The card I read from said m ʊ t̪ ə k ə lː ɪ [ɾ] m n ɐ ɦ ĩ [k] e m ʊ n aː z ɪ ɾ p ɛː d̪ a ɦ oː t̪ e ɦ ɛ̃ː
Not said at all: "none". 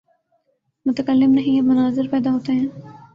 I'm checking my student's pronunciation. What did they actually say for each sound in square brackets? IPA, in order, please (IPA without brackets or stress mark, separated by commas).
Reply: none, none